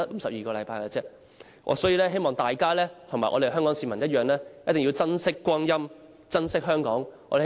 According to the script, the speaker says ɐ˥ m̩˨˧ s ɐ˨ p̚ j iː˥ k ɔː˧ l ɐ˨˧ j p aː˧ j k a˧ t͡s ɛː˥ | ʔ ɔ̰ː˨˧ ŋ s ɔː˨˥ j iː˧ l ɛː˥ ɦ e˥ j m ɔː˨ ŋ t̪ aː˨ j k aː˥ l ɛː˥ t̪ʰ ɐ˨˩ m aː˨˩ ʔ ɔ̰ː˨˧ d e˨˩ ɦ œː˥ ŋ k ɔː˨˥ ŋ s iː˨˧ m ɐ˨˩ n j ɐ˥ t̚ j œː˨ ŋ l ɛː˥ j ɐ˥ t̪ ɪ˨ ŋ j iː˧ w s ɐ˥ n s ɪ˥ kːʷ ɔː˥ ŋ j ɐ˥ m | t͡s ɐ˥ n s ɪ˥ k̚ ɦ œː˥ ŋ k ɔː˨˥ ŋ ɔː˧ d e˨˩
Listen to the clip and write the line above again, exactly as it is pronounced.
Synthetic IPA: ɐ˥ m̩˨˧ s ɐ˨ p̚ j iː˨ k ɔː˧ l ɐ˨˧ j p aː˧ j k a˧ t͡s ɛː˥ | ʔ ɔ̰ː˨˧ s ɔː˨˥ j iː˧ l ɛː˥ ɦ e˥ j m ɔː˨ ŋ t̪ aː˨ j k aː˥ l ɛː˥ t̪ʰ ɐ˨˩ m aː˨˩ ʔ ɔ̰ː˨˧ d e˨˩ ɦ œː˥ ŋ k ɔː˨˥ ŋ s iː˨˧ m ɐ˨˩ n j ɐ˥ t̚ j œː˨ ŋ l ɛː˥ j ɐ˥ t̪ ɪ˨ ŋ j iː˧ w t͡s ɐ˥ n s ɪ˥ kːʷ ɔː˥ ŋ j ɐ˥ m | t͡s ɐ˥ n s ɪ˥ k̚ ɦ œː˥ ŋ k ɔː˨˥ ŋ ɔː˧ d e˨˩